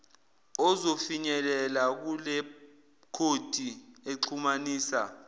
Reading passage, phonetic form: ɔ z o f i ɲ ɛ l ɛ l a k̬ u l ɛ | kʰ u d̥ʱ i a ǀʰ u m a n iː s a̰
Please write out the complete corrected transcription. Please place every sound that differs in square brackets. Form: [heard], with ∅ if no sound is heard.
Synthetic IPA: ɔ z o f i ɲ ɛ l ɛ l a k̬ u l ɛ | kʰ [o] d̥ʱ i [e] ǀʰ u m a n iː s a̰